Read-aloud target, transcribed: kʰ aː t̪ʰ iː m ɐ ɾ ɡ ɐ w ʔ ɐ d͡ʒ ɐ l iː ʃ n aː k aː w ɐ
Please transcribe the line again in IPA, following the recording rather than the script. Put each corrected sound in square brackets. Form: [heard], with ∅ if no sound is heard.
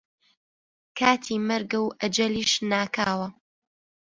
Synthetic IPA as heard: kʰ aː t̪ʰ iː m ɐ ɾ ɡ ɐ w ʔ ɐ d͡ʒ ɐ l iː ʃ n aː k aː w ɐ